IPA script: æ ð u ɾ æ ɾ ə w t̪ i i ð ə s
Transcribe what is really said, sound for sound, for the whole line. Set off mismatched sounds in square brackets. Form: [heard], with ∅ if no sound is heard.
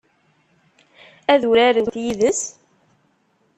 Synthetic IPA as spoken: æ ð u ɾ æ ɾ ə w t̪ [j] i ð ə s